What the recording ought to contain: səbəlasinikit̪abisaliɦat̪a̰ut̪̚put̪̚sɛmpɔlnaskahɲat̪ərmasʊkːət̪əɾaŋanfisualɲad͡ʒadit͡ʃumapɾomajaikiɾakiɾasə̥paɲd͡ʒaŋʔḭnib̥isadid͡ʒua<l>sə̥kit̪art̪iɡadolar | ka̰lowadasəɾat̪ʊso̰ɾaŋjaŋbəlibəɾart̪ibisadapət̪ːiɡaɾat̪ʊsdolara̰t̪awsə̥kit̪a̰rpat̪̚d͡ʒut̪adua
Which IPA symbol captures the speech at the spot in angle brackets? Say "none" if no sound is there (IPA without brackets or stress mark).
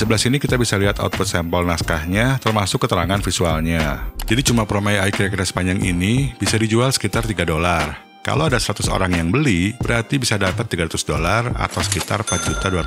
l